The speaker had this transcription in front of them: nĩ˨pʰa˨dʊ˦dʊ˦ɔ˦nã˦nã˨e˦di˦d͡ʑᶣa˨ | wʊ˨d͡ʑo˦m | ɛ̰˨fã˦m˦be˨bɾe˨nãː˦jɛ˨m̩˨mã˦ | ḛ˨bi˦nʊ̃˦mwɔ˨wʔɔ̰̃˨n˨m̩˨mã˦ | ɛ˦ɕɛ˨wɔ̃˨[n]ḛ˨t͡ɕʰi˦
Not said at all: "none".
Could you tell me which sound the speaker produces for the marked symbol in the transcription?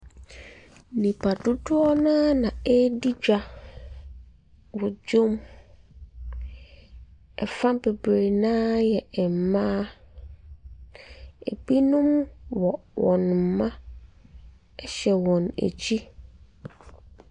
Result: n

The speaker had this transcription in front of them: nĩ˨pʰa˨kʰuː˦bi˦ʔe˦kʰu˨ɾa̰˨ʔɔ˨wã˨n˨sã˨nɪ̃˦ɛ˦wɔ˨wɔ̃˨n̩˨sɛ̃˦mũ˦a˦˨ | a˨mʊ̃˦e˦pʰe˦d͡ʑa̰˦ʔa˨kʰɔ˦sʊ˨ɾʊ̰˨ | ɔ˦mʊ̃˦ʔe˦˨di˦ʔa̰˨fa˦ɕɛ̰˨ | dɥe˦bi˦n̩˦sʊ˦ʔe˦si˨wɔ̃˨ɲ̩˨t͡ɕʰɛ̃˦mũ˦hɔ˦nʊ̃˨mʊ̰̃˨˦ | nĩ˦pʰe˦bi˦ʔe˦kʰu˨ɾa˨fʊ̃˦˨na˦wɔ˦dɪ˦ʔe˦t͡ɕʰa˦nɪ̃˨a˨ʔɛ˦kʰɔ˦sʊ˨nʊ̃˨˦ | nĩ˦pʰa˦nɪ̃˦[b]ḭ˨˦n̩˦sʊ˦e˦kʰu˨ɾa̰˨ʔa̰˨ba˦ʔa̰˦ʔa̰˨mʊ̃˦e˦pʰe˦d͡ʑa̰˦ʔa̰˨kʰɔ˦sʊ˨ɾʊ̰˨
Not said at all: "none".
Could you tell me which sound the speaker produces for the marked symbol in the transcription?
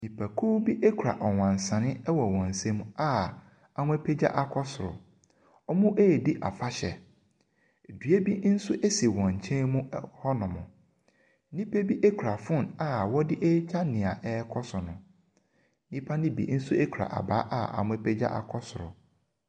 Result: b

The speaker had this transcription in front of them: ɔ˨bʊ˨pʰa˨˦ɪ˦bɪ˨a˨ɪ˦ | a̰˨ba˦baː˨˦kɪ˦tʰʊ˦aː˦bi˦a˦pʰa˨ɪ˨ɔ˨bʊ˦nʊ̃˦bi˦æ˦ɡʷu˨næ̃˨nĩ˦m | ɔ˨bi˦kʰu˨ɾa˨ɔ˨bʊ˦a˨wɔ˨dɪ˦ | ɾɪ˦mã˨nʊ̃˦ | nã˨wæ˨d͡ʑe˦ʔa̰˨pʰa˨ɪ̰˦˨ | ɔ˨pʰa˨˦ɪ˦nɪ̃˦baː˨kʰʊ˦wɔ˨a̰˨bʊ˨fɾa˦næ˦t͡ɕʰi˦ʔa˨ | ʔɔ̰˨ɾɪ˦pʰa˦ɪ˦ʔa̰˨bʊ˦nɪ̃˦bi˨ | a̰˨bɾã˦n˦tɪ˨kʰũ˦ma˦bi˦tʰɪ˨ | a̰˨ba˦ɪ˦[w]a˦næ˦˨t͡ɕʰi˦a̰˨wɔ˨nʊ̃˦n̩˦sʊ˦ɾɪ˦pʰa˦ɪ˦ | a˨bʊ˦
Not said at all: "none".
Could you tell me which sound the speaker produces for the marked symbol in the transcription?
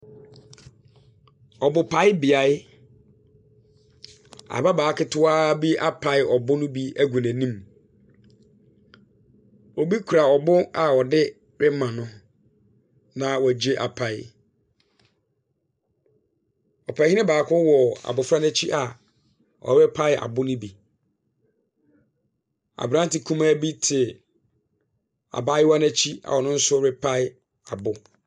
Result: w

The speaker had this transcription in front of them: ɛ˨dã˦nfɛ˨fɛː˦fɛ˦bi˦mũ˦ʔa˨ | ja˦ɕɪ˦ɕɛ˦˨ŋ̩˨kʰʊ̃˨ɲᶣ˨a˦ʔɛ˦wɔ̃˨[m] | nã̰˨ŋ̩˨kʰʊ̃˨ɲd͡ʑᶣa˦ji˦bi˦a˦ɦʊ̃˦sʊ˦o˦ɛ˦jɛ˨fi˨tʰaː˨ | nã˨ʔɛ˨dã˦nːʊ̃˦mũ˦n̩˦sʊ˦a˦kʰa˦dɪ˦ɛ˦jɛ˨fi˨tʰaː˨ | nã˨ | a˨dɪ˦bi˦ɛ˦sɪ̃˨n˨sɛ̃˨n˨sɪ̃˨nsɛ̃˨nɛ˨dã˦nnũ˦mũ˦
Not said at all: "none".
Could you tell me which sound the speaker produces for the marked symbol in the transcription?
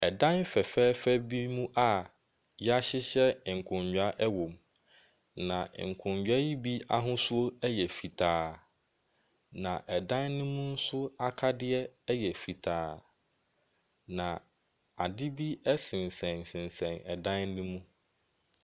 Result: m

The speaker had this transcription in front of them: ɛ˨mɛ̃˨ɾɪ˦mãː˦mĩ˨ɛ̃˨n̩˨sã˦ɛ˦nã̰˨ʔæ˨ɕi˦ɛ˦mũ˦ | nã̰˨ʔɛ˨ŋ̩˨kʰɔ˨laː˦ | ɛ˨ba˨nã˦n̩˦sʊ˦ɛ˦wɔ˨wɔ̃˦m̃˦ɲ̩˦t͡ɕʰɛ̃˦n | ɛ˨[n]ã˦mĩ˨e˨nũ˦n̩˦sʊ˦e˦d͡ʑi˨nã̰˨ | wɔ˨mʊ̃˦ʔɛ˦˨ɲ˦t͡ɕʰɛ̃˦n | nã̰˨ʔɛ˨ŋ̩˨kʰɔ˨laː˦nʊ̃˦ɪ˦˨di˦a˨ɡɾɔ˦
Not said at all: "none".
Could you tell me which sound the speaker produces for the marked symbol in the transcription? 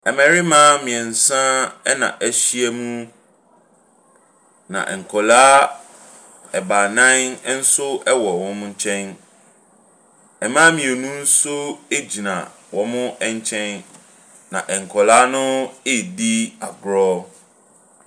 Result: m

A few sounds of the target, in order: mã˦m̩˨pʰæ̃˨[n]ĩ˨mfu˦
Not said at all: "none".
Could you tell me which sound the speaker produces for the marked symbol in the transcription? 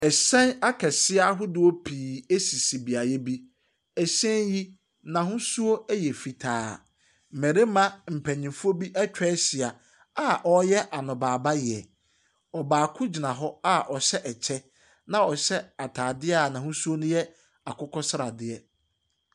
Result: ɲ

